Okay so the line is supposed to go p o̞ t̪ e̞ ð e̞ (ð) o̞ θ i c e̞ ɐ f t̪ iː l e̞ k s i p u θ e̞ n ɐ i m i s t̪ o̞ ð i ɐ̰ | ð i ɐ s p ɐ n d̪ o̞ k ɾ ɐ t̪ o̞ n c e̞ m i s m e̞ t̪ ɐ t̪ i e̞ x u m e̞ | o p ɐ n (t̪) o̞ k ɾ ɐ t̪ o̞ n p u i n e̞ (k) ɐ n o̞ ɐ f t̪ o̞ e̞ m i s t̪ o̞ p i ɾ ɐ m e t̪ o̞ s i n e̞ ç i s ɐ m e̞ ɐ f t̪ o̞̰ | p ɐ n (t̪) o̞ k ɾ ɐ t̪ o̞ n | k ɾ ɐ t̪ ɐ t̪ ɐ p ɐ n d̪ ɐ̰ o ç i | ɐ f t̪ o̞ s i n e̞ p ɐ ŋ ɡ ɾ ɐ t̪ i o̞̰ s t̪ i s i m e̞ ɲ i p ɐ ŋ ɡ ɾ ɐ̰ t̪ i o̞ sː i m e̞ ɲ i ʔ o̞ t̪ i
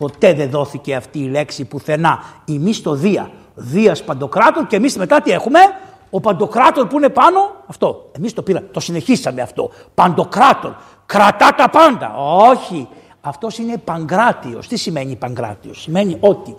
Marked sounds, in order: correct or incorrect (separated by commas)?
correct, incorrect, incorrect, incorrect